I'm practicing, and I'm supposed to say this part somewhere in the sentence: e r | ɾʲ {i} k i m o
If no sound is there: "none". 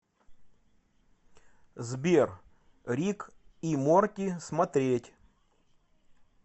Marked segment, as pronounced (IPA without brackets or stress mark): i